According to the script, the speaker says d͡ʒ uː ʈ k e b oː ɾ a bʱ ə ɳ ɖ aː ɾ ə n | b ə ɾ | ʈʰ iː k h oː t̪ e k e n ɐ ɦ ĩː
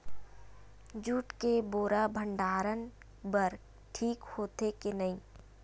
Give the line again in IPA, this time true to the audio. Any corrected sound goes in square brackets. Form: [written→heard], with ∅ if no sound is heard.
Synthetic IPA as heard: d͡ʒ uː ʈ k e b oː ɾ a bʱ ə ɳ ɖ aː ɾ ə n | b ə ɾ | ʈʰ iː k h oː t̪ e k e n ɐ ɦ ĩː

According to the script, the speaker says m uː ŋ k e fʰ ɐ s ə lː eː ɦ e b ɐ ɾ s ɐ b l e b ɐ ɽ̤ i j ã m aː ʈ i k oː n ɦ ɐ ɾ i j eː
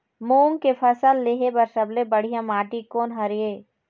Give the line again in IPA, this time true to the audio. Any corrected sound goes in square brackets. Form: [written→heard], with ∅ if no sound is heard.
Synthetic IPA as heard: m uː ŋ k e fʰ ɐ s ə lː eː ɦ e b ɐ ɾ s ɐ b l e b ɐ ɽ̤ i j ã m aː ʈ i k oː n ɦ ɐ ɾ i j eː

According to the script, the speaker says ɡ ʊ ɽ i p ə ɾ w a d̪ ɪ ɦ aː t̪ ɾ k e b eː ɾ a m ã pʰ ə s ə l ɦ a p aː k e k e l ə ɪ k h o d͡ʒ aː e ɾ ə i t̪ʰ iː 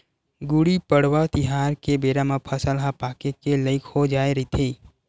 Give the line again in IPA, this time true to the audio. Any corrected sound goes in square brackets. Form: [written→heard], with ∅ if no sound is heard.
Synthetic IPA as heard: ɡ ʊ ɽ i p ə [ɾ→ɽ] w a [d̪→t̪] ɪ ɦ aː [t̪→∅] ɾ k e b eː ɾ a m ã pʰ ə s ə l ɦ a p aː k e k e l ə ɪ k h o d͡ʒ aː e ɾ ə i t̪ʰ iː

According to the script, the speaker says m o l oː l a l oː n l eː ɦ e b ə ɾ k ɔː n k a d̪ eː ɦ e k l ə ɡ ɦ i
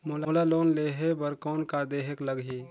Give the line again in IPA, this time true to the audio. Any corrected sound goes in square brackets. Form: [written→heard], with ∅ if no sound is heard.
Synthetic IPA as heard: m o l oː l a l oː n l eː ɦ e b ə ɾ k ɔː n k a d̪ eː ɦ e k l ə ɡ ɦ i

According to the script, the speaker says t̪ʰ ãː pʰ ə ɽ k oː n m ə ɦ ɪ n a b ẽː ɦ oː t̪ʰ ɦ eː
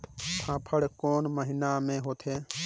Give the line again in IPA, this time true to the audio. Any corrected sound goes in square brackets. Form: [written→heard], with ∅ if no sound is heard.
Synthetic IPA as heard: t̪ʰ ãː pʰ ə ɽ k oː n m ə ɦ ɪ n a [b→m] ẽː ɦ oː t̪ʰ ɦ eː

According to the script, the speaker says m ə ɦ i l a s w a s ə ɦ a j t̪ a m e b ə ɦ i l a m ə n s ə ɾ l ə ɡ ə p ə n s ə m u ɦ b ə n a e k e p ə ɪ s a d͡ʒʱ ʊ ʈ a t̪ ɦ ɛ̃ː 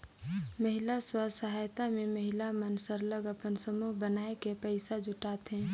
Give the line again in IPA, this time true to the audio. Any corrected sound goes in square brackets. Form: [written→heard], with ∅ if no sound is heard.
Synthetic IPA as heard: m ə ɦ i l a s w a s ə ɦ a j t̪ a m e [b→m] ə ɦ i l a m ə n s ə ɾ l ə ɡ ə p ə n s ə m u ɦ b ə n a e k e p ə ɪ s a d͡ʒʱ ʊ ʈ a t̪ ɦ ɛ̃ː

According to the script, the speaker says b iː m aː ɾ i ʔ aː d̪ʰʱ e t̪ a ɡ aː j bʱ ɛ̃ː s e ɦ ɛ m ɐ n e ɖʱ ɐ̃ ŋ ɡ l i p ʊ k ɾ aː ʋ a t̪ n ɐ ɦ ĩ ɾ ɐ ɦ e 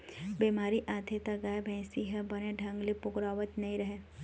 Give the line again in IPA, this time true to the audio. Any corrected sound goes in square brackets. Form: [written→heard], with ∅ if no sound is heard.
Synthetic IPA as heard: b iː m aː ɾ i ʔ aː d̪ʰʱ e t̪ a ɡ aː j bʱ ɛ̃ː s [e→i] ɦ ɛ [m→b] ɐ n e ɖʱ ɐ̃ ŋ ɡ l i p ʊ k ɾ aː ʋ [a→ə] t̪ n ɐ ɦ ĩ ɾ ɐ ɦ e

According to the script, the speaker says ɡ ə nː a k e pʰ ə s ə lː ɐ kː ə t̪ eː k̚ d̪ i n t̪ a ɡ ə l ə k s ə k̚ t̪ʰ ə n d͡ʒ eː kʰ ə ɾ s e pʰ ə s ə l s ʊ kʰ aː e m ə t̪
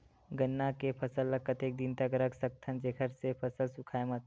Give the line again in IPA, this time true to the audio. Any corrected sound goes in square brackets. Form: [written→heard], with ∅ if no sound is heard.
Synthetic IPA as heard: ɡ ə nː a k e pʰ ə s ə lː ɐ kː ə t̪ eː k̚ d̪ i n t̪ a ɡ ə [l→ɾ] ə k s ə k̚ t̪ʰ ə n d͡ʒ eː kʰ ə ɾ s e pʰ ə s ə l s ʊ kʰ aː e m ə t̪

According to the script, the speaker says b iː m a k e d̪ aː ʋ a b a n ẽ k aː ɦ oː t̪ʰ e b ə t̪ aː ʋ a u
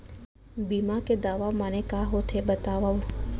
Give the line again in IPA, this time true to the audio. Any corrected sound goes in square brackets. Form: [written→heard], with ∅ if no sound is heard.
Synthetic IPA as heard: b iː m a k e d̪ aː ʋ a [b→m] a n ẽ k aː ɦ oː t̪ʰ e b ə t̪ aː ʋ a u

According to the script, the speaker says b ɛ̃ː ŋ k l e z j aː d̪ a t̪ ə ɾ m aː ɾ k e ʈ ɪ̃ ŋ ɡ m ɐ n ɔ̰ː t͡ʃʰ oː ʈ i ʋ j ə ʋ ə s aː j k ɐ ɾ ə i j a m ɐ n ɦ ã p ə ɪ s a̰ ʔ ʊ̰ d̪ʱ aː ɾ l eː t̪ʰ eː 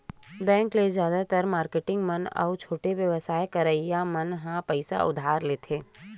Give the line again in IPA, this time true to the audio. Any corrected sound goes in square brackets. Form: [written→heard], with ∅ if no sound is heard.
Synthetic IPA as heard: b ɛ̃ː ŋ k l e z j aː d̪ a t̪ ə ɾ m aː ɾ k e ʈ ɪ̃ ŋ ɡ m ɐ n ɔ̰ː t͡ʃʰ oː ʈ [i→e] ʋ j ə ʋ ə s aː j k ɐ ɾ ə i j a m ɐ n ɦ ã p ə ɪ s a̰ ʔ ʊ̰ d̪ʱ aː ɾ l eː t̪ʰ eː

